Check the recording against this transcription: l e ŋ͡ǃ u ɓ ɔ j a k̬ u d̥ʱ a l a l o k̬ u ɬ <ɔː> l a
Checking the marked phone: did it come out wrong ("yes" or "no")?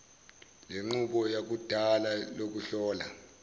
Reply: no